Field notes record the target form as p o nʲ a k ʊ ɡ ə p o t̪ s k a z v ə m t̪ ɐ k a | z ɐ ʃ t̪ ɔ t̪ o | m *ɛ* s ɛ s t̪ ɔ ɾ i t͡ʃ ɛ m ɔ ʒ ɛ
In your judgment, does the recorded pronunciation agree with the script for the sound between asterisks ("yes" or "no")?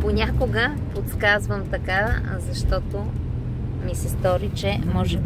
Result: no